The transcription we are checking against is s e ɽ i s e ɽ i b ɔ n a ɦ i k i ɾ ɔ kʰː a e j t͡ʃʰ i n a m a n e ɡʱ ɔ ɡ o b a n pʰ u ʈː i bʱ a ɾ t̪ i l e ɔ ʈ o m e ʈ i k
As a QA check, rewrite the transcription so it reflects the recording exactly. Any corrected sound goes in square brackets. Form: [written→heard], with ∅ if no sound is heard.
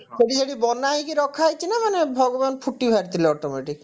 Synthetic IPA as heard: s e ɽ i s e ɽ i b ɔ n a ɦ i k i ɾ ɔ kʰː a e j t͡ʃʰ i n a m a n e [ɡʱ→bʱ] ɔ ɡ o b a n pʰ u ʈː i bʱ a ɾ t̪ i l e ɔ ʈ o m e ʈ i k